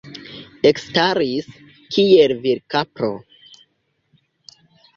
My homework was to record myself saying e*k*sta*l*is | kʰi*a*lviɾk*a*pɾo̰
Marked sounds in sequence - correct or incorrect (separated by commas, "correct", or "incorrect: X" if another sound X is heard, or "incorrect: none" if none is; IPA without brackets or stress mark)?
correct, incorrect: ɾ, incorrect: e, correct